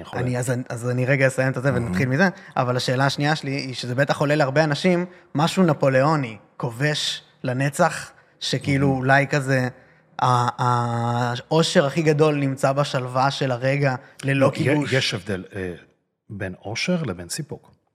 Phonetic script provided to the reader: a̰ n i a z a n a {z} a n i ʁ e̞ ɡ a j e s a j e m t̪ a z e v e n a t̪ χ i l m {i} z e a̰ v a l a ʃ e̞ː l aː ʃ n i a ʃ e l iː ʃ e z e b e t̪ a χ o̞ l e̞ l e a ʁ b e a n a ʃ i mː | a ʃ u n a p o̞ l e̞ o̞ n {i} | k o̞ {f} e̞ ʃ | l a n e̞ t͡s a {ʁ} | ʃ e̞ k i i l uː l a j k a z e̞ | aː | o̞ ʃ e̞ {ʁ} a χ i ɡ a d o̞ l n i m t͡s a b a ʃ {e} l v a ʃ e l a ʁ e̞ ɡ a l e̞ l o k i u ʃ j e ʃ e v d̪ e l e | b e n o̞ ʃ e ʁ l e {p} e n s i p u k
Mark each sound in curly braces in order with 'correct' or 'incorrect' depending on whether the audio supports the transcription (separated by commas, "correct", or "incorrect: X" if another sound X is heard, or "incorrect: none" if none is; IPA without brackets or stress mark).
correct, correct, correct, incorrect: v, incorrect: χ, correct, incorrect: a, incorrect: b